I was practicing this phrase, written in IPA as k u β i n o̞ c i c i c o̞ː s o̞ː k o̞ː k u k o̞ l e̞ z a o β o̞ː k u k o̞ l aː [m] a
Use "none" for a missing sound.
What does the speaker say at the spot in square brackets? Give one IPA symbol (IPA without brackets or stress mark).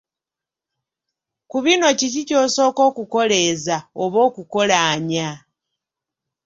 ɲ